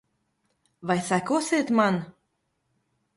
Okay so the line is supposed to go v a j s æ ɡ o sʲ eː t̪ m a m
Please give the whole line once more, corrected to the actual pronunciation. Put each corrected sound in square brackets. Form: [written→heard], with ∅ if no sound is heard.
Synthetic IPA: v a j s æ [ɡ→k] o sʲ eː t̪ m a [m→n]